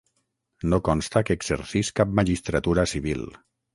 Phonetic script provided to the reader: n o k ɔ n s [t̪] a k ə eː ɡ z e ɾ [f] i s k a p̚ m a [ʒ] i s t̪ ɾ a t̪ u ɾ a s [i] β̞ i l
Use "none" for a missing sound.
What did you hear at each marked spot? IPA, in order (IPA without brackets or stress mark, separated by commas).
t̪, s, ʒ, i